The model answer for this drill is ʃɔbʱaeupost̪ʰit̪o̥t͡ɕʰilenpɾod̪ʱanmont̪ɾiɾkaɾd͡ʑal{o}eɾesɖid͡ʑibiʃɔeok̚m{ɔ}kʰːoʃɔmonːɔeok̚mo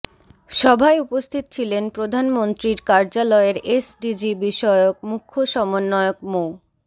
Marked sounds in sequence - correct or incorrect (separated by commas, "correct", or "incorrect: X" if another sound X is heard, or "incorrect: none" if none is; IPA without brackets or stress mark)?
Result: incorrect: ɔ, incorrect: u